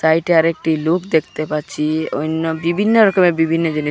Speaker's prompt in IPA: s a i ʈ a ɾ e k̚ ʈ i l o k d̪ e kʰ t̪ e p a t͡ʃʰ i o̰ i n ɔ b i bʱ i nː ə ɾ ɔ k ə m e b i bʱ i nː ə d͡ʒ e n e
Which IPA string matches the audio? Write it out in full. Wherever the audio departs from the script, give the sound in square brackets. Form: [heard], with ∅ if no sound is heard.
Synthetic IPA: s a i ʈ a ɾ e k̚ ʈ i l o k d̪ e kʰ t̪ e p a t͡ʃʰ i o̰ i n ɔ b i bʱ i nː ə ɾ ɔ k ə m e b i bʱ i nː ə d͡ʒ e n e